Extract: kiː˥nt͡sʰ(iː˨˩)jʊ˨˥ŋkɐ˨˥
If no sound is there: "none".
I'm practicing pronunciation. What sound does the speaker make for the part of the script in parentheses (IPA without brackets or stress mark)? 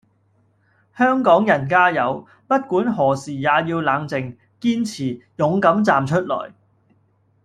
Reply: iː˨˩